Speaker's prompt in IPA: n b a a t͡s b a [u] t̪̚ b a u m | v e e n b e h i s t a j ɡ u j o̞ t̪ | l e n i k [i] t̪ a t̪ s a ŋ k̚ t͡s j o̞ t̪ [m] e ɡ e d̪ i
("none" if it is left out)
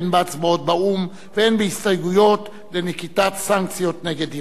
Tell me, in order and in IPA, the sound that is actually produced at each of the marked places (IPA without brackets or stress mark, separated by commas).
o, i, n